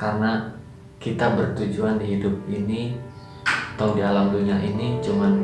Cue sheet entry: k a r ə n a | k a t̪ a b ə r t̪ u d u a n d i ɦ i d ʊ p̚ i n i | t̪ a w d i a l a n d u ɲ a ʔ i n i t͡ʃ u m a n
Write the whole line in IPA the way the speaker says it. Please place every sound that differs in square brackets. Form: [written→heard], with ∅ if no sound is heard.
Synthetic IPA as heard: k a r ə n a | k [a→i] t̪ a b ə r t̪ u [d→d͡ʒ] u a n d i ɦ i d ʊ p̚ i n i | t̪ a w d i a l a [n→m] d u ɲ a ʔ i n i t͡ʃ u m a n

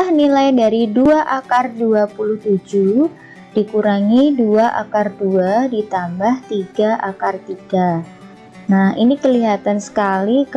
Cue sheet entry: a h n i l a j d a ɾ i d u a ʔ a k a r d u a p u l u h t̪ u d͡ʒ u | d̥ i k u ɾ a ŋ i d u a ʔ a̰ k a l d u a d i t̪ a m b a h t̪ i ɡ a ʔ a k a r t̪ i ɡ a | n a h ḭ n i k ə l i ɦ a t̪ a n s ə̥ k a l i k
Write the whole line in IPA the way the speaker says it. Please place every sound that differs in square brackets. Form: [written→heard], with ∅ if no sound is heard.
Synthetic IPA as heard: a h n i l a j d a ɾ i d u a ʔ a k a r d u a p u l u h t̪ u d͡ʒ u | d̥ i k u ɾ a ŋ i d u a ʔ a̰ k a [l→r] d u a d i t̪ a m b a h t̪ i ɡ a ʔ a k a r t̪ i ɡ a | n a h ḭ n i k ə l i ɦ a t̪ a n s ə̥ k a l i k

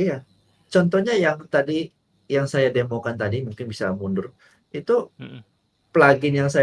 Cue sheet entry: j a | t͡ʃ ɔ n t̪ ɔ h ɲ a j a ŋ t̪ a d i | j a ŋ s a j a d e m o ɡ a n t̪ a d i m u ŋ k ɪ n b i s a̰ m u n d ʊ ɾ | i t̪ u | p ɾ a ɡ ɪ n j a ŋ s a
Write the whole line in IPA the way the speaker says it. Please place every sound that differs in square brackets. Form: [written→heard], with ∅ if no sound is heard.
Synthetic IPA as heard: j a | t͡ʃ ɔ n t̪ ɔ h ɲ a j a ŋ t̪ a d i | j a ŋ s a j a d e m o [ɡ→k] a n t̪ a d i m u ŋ k ɪ n b i s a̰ m u n d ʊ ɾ | i t̪ u | p [ɾ→l] a ɡ ɪ n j a ŋ s a

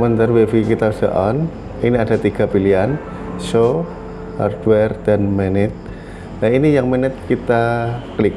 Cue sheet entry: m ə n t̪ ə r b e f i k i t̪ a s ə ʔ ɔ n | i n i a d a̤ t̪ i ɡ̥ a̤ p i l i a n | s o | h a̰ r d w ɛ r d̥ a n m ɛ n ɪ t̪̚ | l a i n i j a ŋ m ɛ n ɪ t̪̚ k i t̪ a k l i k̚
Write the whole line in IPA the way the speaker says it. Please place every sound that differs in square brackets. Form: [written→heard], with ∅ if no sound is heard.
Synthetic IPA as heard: m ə n t̪ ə r [b→w] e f i k i t̪ a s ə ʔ ɔ n | i n i a d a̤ t̪ i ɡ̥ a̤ p i l i a n | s o | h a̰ r d w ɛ r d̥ a n m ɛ n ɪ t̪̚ | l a i n i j a ŋ m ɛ n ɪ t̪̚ k i t̪ a k l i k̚

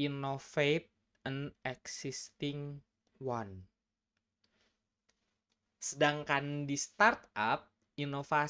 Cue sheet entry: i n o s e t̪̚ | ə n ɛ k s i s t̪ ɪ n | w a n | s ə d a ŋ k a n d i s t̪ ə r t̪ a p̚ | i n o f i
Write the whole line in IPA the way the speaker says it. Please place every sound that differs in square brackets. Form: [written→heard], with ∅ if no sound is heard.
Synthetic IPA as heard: i n o [s→f] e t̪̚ | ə n ɛ k s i s t̪ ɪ [n→ŋ] | w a n | s ə d a ŋ k a n d i s t̪ [ə→a] r t̪ a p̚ | i n o f [i→a]

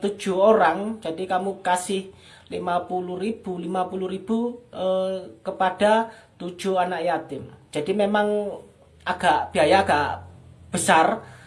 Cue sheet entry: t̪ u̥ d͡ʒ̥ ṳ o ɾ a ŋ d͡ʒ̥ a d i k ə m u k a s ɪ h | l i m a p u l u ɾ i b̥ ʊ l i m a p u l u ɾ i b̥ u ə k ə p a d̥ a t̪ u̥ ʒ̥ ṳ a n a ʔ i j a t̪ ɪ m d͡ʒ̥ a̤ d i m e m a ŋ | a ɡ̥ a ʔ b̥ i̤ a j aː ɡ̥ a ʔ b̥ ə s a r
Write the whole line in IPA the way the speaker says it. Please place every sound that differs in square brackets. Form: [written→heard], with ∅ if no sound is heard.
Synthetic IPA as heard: t̪ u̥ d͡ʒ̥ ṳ o ɾ a ŋ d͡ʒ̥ a d i k [ə→a] m u k a s ɪ h | l i m a p u l u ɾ i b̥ [ʊ→u] l i m a p u l u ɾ i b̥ u ə k ə p a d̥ a t̪ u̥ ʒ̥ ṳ a n a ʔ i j a t̪ ɪ m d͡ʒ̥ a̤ d i m e m a ŋ | a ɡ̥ a ʔ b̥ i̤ a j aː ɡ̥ a ʔ b̥ ə s a r

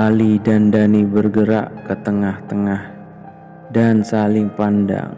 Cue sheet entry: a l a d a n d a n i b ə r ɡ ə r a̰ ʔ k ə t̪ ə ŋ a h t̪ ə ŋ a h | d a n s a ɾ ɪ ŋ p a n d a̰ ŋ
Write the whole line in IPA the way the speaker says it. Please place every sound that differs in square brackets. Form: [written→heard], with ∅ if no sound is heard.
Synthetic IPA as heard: a l [a→i] d a n d a n i b ə r ɡ ə [r→ɾ] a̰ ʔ k ə t̪ ə ŋ a h t̪ ə ŋ a h | d a n s a [ɾ→l] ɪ ŋ p a n d a̰ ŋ

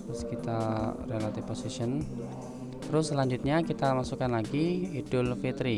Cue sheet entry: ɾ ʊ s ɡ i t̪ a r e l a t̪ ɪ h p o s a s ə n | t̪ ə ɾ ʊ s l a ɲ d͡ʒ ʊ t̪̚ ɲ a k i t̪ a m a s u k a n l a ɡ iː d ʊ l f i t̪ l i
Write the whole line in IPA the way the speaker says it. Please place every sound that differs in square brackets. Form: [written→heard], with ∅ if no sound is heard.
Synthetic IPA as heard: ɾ ʊ s [ɡ→k] i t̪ a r e l a t̪ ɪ [h→f] p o s [a→i] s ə n | t̪ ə ɾ ʊ s l a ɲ d͡ʒ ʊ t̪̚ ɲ a k i t̪ a m a s u k a n l a ɡ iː d ʊ l f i t̪ [l→ɾ] i

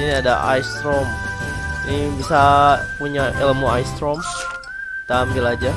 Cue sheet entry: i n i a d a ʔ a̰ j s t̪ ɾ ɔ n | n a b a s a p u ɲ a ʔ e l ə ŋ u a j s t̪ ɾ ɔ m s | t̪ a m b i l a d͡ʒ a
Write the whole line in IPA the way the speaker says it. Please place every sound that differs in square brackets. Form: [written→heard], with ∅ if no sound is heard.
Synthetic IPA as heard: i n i a d a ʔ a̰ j s t̪ ɾ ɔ [n→m] | n [a→i] b [a→i] s a p u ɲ a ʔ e l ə [ŋ→m] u a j s t̪ ɾ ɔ m s | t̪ a m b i l a d͡ʒ a

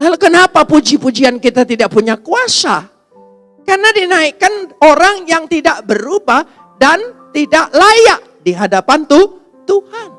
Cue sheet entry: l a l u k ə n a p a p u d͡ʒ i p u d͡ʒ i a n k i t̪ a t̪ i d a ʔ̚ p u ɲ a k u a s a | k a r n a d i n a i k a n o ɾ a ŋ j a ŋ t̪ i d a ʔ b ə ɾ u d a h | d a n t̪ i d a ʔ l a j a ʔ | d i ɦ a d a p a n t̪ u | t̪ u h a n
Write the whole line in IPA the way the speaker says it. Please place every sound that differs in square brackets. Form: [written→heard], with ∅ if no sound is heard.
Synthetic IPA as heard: l a l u k ə n a p a p u d͡ʒ i p u d͡ʒ i a n k i t̪ a t̪ i d a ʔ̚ p u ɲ a k u a s a | k a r n a d i n a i k a n o ɾ a ŋ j a ŋ t̪ i d a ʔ b ə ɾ u [d→b] a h | d a n t̪ i d a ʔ l a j a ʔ | d i ɦ a d a p a n t̪ u | t̪ u h a n

